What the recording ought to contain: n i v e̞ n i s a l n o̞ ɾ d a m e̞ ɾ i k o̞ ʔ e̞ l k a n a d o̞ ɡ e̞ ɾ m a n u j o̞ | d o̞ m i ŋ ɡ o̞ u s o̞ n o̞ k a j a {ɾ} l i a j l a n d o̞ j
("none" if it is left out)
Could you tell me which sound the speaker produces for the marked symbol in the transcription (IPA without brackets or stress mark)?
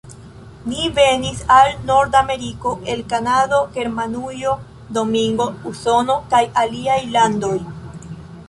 none